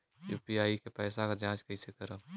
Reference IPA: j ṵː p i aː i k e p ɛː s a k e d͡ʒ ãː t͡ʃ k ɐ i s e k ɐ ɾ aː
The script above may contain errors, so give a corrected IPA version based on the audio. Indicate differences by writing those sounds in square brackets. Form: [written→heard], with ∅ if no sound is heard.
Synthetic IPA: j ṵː p i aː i k e p ɛː s a k [e→a] d͡ʒ ãː t͡ʃ k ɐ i s e k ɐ ɾ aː